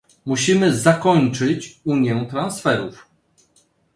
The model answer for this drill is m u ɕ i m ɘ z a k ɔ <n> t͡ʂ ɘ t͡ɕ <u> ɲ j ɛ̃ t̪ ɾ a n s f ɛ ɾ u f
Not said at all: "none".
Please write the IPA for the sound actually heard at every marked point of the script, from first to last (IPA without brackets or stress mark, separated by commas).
ɲ, u